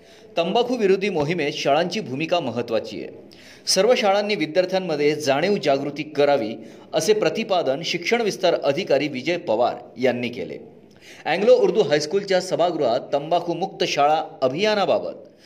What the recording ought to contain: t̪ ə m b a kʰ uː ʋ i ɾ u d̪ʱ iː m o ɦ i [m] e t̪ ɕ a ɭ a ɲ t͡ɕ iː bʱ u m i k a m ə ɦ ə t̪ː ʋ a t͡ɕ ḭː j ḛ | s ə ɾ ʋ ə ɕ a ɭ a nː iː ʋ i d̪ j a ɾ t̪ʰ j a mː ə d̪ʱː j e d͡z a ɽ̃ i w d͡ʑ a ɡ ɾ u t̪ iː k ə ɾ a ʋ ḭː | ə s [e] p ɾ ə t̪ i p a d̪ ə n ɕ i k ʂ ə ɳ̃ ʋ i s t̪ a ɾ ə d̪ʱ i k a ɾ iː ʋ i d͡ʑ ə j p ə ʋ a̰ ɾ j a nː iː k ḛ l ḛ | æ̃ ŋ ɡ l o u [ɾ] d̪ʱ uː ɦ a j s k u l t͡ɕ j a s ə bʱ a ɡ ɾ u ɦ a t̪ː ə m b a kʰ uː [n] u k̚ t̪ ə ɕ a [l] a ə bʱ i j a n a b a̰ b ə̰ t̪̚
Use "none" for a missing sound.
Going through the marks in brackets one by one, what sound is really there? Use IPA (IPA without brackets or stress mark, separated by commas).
m, e, ɾ, m, ɭ